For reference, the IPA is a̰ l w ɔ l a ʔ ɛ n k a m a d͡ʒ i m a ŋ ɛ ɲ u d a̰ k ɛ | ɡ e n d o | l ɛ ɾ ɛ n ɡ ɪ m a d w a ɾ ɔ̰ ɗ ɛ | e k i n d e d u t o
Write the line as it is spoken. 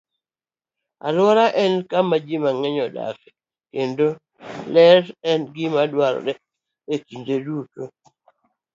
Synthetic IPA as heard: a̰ l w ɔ ɾ a ʔ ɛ n k a m a d͡ʒ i m a ŋ ɛ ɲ ɔ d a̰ k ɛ | k e n d o | l ɛ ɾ ɛ n ɡ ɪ m a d w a ɾ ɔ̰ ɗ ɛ | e k i n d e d u t o